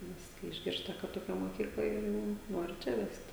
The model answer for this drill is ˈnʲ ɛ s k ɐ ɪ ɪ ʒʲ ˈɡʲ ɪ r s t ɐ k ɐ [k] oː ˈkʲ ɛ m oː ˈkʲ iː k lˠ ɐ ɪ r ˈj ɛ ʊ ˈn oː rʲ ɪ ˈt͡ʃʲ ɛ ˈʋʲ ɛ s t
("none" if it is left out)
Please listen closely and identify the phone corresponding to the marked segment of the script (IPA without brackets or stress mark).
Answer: t